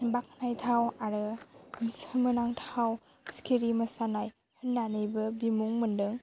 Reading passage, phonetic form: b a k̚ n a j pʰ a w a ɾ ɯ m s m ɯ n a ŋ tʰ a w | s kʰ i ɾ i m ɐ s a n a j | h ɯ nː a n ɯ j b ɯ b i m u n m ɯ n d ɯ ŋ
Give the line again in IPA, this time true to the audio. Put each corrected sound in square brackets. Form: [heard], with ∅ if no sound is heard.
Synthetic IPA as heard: b a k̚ n a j [tʰ] a w a ɾ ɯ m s m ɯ n a ŋ tʰ a w | s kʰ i ɾ i m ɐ s a n a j | h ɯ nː a n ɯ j b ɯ b i m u [ŋ] m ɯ n d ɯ ŋ